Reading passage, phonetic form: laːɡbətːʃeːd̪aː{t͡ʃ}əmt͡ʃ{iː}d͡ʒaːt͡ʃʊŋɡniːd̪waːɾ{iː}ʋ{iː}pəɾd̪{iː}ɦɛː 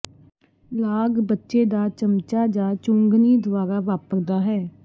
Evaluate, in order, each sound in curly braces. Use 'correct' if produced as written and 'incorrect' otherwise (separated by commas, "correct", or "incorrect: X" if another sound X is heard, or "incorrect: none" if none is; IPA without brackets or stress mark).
correct, incorrect: aː, incorrect: aː, incorrect: aː, incorrect: aː